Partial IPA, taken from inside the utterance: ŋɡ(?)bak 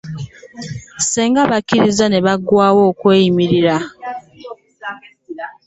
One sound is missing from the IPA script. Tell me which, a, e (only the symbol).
a